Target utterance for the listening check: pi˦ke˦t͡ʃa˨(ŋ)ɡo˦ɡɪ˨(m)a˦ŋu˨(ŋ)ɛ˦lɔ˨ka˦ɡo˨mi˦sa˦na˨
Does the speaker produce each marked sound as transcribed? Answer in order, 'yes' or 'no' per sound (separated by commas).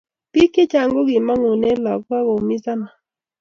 yes, yes, no